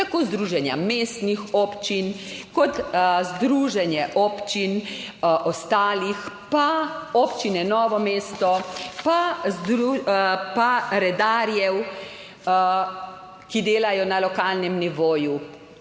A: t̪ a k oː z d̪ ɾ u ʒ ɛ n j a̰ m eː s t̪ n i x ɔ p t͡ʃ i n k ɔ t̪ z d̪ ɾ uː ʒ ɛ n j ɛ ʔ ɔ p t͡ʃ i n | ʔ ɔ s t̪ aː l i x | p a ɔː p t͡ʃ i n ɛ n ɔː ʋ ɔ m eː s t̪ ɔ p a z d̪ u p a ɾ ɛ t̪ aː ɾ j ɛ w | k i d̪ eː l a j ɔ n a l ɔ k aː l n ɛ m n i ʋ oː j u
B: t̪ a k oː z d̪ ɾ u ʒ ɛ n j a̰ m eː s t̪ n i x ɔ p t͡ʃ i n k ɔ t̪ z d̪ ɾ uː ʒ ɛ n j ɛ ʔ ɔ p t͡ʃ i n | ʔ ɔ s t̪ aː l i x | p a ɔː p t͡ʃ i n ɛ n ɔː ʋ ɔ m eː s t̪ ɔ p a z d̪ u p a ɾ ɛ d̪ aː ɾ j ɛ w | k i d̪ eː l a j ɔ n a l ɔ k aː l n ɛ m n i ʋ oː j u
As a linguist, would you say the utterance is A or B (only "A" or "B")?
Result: B